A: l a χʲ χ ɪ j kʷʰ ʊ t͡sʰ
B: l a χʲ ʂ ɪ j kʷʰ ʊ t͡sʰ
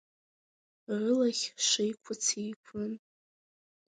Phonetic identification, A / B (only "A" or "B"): B